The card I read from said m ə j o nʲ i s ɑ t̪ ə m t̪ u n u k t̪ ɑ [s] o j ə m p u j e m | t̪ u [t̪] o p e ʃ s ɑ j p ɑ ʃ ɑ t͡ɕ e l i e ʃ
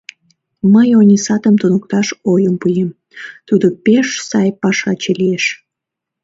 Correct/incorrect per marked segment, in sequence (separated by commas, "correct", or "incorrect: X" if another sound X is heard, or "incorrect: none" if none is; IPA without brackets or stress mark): incorrect: ʃ, incorrect: d̪